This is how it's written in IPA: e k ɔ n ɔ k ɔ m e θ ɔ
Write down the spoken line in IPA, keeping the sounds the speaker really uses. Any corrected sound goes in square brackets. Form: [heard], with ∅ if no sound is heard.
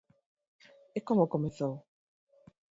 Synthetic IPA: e k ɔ [m] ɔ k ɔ m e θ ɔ